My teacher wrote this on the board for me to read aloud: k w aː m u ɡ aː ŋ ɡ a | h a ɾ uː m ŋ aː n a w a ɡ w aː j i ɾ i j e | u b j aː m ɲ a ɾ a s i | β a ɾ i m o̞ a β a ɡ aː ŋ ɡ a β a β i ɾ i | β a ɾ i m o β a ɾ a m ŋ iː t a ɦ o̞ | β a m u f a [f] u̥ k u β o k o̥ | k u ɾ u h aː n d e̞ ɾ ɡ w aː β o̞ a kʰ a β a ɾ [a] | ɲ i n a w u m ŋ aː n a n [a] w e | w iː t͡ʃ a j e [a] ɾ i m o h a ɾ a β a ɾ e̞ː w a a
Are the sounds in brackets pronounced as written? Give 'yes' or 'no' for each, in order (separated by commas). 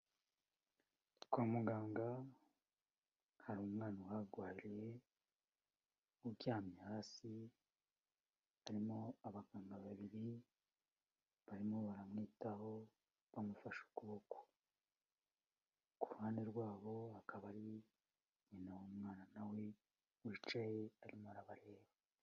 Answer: no, no, yes, yes